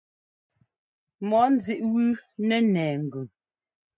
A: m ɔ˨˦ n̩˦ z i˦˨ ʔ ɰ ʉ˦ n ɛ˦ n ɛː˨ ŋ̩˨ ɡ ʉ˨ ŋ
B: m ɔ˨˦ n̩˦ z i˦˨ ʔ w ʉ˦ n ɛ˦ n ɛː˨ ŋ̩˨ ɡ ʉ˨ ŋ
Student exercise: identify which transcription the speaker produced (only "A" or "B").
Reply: B